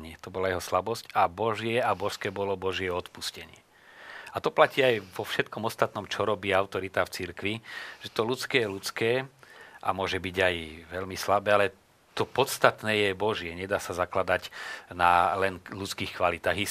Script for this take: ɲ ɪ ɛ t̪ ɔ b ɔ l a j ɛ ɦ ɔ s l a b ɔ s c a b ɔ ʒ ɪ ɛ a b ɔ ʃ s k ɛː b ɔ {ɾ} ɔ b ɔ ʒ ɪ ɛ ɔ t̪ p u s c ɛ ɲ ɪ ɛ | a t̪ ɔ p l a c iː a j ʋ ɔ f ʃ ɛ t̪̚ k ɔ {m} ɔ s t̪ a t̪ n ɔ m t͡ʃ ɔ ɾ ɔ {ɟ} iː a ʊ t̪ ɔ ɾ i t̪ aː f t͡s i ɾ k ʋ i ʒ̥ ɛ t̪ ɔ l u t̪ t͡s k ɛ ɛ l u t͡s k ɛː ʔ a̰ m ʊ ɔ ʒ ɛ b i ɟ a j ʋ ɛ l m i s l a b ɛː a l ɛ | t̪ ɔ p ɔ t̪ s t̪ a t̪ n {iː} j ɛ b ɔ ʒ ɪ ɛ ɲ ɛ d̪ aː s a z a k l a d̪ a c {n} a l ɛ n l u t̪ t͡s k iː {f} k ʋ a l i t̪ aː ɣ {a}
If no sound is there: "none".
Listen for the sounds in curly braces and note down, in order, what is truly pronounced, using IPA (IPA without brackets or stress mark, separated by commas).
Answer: l, m, b, ɛː, n, x, i